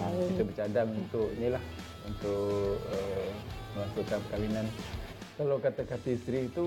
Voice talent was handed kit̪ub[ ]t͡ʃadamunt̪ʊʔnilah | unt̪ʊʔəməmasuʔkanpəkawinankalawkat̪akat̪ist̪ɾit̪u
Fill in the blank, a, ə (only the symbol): ə